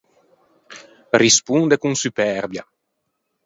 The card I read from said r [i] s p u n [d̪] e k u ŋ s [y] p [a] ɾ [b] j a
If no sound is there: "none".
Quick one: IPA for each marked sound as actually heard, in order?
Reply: i, d̪, y, ɛ, b

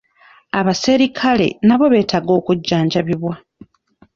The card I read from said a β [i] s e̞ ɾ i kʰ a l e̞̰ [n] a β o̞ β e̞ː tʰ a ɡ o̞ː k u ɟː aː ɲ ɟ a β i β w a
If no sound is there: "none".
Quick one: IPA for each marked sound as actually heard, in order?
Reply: a, n

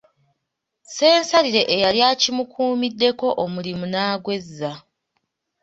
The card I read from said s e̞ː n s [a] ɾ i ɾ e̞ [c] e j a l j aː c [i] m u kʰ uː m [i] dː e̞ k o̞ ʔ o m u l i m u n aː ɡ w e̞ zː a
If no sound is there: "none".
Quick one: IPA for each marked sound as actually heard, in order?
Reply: a, ʔ, i, i

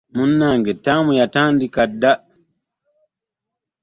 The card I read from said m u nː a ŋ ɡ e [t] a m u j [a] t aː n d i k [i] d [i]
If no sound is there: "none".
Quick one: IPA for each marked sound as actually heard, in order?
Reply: t, a, a, a

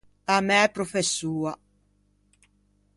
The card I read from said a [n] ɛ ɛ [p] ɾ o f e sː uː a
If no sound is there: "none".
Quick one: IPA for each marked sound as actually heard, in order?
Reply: m, p

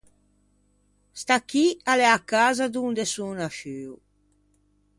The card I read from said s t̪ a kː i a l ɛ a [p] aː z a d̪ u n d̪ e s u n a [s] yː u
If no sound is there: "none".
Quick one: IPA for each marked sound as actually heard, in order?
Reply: k, ʃ

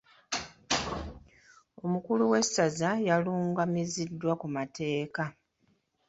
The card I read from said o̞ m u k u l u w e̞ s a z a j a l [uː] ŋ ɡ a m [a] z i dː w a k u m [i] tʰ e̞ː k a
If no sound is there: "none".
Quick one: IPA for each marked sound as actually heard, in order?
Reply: uː, i, a

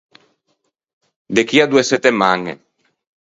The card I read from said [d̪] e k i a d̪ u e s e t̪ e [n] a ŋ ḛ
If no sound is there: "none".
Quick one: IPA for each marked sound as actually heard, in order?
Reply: d̪, m

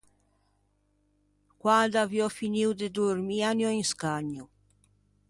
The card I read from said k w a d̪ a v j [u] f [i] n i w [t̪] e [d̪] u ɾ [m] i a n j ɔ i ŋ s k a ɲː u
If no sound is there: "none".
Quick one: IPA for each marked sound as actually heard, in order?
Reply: ɔ, i, d̪, d̪, m

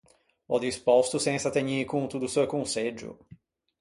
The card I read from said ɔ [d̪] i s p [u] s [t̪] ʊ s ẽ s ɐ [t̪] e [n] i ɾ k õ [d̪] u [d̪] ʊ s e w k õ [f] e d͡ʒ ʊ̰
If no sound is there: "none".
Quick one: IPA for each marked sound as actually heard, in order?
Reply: d̪, ɔ, t̪, t̪, ɲ, t̪, d̪, s

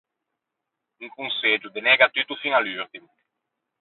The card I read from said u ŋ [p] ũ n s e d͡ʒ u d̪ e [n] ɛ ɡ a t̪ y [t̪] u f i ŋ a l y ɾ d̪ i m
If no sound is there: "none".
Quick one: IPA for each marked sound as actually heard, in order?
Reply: k, n, t̪

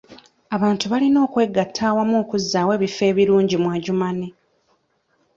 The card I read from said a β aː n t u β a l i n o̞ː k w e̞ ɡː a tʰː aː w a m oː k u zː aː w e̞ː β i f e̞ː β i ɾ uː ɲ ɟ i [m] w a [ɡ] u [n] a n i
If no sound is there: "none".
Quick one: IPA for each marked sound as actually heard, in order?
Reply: m, ɟ, m

